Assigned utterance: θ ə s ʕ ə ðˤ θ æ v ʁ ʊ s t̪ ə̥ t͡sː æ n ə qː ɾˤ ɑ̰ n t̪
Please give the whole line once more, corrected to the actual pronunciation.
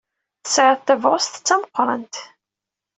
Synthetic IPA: θ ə s ʕ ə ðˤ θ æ v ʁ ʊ s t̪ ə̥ t͡sː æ m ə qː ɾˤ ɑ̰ n t̪

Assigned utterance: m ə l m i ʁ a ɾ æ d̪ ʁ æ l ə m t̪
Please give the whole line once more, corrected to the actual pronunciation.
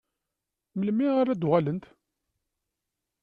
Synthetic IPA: m ə l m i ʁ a ɾ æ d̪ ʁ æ l ə n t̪

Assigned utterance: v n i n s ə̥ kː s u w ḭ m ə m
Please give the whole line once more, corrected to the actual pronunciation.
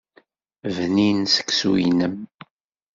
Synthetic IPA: v n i n s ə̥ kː s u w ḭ n ə m

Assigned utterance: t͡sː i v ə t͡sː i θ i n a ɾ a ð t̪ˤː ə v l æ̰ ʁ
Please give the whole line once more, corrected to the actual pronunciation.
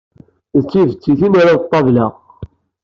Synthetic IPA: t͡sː i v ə t͡sː i θ i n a ɾ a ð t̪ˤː ɑ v l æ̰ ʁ

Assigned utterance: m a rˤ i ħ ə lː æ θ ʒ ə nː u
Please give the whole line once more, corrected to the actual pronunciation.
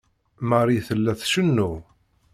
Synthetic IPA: m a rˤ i θ ə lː æ θ ʃ ə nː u

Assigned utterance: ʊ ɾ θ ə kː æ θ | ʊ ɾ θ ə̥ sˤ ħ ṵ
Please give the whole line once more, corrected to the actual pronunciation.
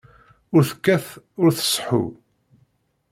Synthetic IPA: ʊ ɾ θ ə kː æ θ | ʊ ɾ θ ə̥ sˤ ħ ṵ

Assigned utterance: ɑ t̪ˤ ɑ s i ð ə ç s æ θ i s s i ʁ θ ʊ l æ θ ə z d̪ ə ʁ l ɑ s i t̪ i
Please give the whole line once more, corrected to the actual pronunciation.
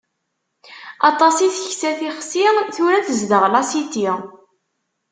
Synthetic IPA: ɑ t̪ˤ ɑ s i θ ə ç s æ θ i χ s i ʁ θ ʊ ɾ æ θ ə z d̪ ə ʁ l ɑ s i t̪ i

